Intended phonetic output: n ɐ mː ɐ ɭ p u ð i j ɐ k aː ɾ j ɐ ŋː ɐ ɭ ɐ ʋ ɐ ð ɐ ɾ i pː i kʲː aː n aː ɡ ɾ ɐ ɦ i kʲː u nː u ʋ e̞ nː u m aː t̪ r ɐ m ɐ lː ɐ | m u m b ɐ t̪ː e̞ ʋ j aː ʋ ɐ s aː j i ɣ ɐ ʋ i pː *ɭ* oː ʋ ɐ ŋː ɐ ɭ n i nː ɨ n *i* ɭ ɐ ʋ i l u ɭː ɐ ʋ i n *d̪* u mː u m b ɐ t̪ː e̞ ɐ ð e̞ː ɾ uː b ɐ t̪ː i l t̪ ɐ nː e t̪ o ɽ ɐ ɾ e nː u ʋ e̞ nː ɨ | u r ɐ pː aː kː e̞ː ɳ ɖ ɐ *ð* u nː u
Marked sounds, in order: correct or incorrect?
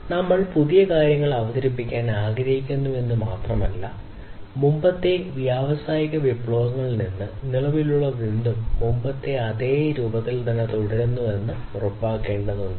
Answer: correct, correct, correct, correct

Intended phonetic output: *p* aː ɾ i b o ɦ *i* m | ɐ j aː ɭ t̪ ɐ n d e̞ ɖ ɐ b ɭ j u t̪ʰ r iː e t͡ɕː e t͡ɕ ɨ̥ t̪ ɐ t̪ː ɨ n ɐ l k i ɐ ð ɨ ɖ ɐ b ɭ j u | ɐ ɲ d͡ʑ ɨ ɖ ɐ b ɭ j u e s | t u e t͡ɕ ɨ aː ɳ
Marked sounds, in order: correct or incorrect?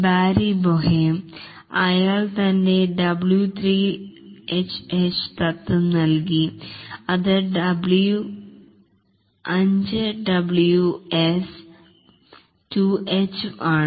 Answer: incorrect, incorrect

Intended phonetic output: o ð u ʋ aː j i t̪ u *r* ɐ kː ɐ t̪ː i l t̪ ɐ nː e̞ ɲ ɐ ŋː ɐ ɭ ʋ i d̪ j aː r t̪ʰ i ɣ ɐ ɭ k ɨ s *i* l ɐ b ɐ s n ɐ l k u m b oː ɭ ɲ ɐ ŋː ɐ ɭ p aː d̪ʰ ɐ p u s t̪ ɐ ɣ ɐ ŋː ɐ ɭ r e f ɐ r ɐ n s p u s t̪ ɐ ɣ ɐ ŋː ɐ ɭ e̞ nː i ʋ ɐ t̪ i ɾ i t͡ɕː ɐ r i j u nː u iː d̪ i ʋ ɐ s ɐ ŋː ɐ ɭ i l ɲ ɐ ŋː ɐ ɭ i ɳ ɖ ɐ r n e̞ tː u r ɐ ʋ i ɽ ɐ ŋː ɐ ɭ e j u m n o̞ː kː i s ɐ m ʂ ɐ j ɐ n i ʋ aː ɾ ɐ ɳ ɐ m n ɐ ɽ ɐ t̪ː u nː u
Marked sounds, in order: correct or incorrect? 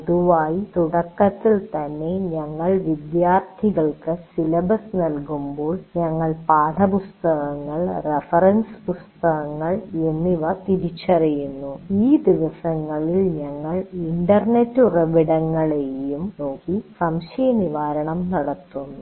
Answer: incorrect, correct

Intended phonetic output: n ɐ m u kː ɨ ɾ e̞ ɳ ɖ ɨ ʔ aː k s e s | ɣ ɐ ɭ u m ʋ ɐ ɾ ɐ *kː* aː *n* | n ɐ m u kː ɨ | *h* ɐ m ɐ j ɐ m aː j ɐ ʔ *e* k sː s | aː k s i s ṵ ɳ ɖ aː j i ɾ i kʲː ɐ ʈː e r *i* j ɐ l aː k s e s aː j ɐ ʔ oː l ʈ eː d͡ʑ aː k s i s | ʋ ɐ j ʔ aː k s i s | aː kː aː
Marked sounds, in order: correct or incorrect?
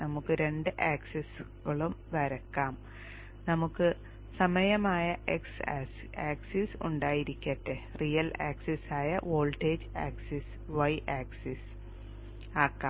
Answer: correct, incorrect, incorrect, correct, correct

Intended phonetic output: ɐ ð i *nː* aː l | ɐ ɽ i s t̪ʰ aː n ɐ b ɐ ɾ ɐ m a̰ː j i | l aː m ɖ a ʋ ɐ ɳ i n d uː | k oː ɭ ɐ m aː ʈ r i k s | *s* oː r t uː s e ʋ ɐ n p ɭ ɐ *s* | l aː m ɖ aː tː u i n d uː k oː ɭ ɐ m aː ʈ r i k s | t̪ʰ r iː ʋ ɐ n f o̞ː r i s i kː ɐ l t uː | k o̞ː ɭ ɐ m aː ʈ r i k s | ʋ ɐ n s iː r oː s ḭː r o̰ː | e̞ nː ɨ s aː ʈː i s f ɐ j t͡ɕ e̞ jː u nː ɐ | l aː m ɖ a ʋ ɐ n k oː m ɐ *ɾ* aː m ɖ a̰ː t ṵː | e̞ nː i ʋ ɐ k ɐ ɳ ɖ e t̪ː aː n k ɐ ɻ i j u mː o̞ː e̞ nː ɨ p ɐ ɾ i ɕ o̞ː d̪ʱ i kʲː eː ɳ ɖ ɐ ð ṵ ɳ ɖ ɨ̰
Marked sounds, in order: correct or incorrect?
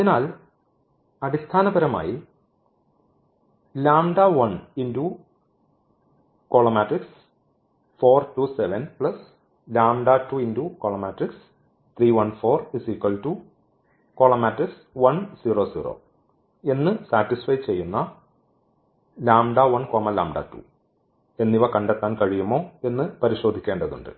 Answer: incorrect, incorrect, correct, incorrect

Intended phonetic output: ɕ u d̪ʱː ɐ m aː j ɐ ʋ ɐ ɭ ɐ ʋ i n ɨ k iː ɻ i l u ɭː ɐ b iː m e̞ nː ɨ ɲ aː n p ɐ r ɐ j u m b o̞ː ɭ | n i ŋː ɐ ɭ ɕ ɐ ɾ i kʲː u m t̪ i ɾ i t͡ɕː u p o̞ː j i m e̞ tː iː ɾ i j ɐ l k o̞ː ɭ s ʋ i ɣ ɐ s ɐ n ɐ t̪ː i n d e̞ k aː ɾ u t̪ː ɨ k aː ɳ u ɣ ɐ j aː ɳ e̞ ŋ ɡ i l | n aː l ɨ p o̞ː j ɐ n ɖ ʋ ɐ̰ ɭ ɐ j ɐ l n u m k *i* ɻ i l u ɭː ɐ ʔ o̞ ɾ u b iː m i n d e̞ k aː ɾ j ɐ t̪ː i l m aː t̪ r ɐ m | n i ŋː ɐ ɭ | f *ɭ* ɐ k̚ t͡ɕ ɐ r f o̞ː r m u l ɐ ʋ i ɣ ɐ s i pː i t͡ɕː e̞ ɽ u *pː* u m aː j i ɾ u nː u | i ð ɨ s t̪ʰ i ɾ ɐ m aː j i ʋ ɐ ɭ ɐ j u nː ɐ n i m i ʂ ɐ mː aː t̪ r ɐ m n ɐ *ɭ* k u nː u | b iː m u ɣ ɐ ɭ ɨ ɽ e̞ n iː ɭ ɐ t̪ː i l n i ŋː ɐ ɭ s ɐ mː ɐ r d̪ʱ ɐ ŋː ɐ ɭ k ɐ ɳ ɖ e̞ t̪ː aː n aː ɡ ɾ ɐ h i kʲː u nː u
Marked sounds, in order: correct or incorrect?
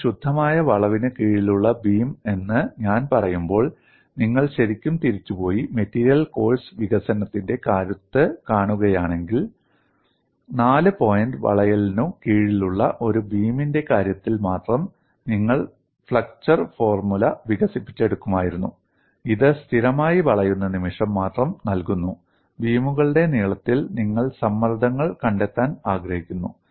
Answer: incorrect, correct, incorrect, incorrect

